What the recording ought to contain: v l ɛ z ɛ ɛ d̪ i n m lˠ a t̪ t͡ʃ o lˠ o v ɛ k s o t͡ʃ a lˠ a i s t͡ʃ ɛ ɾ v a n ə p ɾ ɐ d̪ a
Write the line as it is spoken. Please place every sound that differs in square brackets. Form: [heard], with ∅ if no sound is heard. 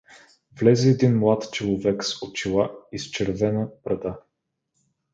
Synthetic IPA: v l ɛ z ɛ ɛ d̪ i n m lˠ a t̪ t͡ʃ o lˠ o v ɛ k s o t͡ʃ [i] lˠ a i s t͡ʃ ɛ ɾ v [ɛ] n ə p ɾ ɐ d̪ a